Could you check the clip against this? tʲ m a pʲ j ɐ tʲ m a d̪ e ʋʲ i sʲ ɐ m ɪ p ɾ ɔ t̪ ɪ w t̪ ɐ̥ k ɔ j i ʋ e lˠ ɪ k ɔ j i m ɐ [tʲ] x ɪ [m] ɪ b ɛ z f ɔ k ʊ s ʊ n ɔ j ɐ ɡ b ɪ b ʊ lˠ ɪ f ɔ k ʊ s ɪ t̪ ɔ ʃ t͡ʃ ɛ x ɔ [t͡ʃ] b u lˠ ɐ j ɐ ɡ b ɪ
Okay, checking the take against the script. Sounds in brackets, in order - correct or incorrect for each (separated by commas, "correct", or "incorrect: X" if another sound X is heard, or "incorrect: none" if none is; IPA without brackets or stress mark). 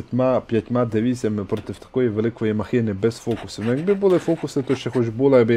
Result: incorrect: none, incorrect: n, correct